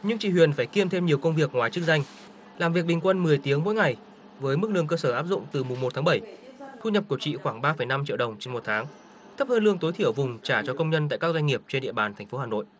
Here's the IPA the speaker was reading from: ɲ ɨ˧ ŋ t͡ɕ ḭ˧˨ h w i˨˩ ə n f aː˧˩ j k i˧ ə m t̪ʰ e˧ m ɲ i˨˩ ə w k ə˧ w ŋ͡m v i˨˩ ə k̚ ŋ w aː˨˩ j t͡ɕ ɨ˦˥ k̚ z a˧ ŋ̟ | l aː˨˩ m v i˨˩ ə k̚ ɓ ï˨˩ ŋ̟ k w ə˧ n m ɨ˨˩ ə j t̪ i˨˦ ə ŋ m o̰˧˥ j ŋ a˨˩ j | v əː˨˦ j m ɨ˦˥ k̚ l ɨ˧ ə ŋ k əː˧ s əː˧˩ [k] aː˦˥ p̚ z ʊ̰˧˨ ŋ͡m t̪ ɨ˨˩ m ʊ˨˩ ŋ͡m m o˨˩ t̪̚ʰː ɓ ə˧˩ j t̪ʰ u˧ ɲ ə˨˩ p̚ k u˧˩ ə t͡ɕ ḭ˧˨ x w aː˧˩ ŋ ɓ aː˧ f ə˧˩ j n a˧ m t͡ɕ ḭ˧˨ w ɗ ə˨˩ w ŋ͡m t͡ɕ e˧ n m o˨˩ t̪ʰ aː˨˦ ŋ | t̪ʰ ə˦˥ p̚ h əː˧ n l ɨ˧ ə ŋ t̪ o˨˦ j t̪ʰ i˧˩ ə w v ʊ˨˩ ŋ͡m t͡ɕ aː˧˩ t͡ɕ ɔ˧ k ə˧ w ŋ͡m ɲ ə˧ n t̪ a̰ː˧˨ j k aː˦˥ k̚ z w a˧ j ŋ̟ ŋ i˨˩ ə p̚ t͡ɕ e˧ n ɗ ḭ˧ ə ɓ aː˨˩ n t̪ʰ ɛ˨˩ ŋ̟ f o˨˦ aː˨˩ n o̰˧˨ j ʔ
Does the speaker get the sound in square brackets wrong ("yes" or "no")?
yes